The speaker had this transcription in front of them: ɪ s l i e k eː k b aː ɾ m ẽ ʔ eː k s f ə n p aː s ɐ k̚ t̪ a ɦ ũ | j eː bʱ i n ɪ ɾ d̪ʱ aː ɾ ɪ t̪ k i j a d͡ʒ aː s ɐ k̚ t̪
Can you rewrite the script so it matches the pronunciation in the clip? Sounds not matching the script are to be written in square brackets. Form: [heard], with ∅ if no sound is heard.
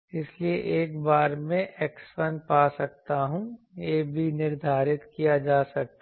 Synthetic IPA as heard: ɪ s l i e [ʔ] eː k b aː ɾ m ẽ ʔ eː k s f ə n p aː s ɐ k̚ t̪ a ɦ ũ | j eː bʱ i n ɪ ɾ d̪ʱ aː ɾ ɪ t̪ k i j a d͡ʒ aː s ɐ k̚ t̪